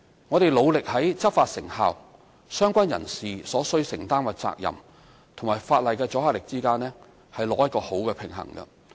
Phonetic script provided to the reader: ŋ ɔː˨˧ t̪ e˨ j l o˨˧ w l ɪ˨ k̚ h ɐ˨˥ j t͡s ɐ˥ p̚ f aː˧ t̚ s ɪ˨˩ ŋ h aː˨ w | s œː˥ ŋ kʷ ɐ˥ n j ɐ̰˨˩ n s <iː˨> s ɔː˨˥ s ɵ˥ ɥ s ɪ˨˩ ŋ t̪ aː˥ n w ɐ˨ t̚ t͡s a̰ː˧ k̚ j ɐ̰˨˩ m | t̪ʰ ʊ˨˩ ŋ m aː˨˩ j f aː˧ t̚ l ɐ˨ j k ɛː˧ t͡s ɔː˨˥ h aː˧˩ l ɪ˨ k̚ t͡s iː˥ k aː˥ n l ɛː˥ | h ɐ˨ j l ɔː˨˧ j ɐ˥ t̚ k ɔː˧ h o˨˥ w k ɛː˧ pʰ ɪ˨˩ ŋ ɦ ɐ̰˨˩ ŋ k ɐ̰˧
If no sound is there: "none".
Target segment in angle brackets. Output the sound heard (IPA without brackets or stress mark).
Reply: iː˨